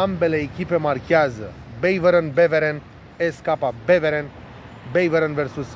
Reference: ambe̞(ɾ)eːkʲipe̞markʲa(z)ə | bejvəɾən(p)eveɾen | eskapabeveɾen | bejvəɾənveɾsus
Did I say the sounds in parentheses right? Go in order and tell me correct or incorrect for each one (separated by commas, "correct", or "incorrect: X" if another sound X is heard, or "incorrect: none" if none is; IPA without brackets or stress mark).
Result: incorrect: l, correct, incorrect: b